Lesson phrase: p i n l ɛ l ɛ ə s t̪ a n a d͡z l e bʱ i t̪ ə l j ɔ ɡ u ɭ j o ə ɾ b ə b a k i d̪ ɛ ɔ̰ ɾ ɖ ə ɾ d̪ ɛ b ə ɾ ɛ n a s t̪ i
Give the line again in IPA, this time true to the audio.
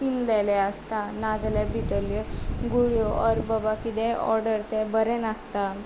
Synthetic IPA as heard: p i n l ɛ l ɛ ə s t̪ a n a d͡z l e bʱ i t̪ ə l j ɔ ɡ u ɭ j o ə ɾ b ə b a k i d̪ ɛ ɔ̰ ɾ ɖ ə ɾ t̪ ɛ b ə ɾ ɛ n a s t̪ a